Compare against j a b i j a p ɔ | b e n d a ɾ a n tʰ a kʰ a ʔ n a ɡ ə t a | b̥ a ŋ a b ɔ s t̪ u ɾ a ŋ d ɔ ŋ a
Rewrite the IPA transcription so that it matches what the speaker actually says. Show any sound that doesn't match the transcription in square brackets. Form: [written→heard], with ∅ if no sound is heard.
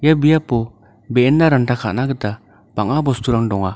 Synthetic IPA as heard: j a b i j a p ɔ | b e n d a ɾ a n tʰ a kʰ a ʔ n a ɡ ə t a | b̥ a ŋ a b ɔ s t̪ u ɾ a ŋ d ɔ ŋ a